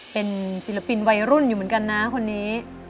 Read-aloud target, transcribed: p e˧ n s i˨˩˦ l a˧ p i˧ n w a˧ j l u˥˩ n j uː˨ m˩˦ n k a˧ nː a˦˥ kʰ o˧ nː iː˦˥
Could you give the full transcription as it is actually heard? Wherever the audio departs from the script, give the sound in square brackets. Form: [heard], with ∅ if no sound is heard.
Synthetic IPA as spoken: p e˧ n s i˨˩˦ l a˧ p i˧ n w a˧ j [ɾ] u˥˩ n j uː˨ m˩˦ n k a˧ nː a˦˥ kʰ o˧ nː iː˦˥